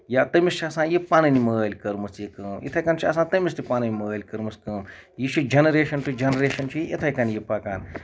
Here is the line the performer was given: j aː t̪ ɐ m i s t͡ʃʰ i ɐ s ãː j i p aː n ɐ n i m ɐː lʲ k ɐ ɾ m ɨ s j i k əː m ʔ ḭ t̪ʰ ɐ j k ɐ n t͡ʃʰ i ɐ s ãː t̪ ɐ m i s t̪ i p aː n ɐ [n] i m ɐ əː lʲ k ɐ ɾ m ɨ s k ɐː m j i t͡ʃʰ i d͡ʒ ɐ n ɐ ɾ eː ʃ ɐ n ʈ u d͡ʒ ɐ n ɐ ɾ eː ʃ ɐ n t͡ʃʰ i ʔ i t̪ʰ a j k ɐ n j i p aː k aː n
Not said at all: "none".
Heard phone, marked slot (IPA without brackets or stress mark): n